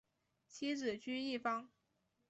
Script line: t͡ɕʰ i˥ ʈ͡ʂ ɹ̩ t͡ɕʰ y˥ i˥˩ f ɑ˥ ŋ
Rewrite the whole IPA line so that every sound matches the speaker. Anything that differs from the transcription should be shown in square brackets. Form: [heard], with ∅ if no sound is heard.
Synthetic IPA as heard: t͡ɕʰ i˥ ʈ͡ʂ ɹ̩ [t͡ɕ] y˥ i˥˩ f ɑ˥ ŋ